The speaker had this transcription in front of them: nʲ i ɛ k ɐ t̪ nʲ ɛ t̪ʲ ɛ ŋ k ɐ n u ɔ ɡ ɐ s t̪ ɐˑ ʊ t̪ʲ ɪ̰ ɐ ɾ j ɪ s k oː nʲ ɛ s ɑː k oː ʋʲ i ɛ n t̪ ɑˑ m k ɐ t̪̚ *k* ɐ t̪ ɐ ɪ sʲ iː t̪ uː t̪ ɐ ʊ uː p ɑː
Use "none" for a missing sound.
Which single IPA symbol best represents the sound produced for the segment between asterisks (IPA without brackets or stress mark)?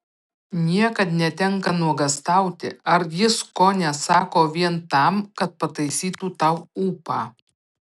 p